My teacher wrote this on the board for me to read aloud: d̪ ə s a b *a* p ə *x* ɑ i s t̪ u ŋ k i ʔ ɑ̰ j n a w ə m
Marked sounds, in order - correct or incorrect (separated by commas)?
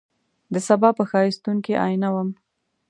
incorrect, correct